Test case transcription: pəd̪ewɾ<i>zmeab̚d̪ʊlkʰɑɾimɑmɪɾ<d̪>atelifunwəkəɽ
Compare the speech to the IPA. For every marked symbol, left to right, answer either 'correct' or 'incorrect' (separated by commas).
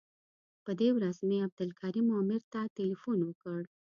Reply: incorrect, incorrect